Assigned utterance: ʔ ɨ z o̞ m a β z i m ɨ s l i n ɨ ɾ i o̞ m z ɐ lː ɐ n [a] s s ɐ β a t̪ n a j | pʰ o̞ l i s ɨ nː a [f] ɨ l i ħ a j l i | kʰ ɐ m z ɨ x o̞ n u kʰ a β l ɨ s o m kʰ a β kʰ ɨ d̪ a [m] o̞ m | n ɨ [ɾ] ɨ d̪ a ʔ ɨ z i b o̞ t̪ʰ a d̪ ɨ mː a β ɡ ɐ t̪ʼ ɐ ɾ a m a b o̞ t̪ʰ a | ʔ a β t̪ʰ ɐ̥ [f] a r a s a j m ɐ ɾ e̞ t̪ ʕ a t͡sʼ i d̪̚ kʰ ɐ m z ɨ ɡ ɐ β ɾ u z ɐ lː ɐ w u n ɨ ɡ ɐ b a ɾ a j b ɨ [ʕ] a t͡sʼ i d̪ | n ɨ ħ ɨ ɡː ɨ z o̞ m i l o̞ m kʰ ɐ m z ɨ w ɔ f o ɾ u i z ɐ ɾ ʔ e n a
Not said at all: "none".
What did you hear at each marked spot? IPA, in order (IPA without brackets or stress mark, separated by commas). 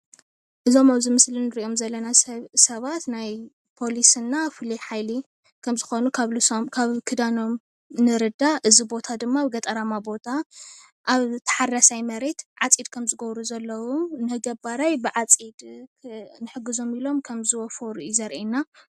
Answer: a, f, n, ɾ, ħ, ʕ